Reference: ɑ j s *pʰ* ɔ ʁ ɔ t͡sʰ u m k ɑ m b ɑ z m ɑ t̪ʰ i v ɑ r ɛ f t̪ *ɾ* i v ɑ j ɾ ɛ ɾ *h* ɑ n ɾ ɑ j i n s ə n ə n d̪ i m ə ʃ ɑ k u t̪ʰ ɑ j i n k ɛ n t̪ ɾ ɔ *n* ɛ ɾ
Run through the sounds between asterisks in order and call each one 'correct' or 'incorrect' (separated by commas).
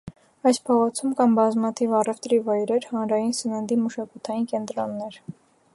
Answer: correct, correct, correct, incorrect